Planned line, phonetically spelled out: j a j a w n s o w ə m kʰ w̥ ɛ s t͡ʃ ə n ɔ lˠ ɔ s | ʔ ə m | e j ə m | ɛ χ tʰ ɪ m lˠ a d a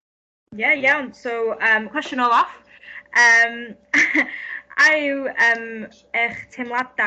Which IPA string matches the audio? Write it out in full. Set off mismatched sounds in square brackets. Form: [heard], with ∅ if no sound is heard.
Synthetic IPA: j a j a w n s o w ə m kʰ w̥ ɛ s t͡ʃ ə n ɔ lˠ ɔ [f] | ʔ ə m | [a] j ə m | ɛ χ tʰ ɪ m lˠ a d a